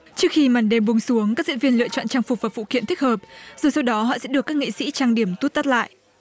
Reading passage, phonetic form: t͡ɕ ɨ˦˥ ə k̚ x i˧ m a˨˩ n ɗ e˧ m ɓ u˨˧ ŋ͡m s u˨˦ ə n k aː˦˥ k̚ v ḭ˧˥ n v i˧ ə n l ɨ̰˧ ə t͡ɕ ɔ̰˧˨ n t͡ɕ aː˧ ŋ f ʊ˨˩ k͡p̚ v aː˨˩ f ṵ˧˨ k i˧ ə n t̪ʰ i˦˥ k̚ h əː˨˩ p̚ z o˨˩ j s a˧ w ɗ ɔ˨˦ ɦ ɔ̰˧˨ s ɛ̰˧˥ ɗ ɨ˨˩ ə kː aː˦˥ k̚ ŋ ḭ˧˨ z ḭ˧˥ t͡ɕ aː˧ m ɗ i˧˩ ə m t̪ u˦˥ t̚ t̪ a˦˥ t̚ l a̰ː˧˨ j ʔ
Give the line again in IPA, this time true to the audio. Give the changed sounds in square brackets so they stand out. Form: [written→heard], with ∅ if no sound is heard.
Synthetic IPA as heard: t͡ɕ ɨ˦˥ ə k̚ x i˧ m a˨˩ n ɗ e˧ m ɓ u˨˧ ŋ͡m s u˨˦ ə [n→ŋ] k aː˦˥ k̚ [v→z] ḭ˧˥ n v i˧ ə n l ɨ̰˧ ə t͡ɕ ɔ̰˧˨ n t͡ɕ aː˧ ŋ f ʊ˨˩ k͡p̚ v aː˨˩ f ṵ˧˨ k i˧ ə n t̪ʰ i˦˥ k̚ h əː˨˩ p̚ z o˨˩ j s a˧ w ɗ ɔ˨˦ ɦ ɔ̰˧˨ s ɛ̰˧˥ ɗ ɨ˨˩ ə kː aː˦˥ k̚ ŋ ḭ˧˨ [z→s] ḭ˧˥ t͡ɕ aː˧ [m→ŋ] ɗ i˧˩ ə m t̪ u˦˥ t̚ t̪ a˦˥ t̚ l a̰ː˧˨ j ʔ